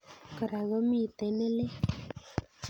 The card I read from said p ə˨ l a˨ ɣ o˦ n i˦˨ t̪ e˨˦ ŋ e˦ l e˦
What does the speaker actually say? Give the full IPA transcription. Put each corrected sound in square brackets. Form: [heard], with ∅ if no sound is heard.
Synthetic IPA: [k] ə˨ [ɾ] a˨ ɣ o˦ [m] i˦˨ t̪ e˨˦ [n] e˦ l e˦

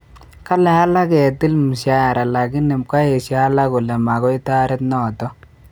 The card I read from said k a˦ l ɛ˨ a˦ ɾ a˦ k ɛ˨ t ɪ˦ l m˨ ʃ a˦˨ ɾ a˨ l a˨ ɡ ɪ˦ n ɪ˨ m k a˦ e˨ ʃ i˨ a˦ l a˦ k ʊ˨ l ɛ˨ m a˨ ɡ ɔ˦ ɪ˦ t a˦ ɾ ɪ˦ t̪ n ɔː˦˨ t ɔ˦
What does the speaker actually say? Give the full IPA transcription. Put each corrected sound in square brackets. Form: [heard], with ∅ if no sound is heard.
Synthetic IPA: k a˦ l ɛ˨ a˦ [l] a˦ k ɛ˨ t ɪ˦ l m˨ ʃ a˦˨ ɾ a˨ l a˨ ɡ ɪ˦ n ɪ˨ m k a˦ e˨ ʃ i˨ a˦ l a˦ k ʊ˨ l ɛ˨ m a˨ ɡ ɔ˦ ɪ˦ t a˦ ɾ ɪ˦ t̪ n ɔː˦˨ t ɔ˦

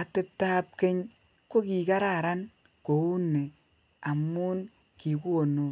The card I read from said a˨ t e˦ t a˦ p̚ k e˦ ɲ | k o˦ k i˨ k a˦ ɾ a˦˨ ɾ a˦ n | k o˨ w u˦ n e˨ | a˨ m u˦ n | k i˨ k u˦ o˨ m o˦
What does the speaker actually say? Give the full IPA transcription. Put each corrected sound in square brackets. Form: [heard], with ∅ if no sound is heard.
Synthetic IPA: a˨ t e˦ t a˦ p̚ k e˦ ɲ | k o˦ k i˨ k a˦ ɾ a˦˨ ɾ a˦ n | k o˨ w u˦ n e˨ | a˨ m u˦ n | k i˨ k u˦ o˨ [n] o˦

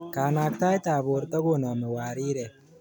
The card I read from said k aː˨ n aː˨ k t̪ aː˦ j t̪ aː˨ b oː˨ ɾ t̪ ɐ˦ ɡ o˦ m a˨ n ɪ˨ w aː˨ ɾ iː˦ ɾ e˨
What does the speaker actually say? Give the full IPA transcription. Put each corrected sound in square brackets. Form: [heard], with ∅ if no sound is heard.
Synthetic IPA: k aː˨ n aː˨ k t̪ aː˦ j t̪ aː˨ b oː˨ ɾ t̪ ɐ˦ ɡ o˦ [n] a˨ [m] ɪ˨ w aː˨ ɾ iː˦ ɾ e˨

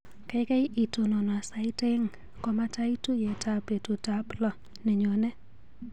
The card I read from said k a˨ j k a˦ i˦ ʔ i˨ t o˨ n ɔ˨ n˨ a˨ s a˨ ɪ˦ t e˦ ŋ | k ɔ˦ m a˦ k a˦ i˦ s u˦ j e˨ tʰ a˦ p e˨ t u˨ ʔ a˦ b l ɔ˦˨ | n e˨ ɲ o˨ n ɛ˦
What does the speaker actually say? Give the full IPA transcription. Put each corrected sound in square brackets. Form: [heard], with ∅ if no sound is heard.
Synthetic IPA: k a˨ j k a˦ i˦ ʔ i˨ t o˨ n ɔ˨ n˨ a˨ s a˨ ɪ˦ t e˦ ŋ | k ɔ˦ m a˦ [t] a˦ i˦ [t] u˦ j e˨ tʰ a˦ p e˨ t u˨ [t] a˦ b l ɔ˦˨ | n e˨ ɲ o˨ n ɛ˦

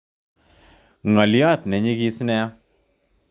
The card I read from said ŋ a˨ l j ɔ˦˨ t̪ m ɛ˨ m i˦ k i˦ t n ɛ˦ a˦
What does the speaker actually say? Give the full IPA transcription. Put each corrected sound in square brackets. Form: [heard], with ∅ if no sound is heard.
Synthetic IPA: ŋ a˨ l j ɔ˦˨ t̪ [n] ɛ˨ [ɲ] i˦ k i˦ [s] n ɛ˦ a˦

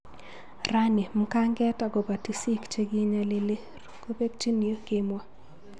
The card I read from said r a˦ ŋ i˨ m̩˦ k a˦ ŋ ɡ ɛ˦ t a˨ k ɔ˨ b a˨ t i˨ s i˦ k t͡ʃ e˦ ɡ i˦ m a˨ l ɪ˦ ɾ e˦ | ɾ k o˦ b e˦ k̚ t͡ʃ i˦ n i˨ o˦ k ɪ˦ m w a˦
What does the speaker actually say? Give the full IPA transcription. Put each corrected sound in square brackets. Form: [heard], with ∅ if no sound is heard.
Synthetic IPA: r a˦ [n] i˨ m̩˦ k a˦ ŋ ɡ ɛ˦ t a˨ [ɡ] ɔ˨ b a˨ t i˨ s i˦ k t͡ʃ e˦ ɡ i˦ [ɲ] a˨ l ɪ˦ [l] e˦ | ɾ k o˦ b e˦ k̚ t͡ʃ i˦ n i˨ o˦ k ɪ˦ m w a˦

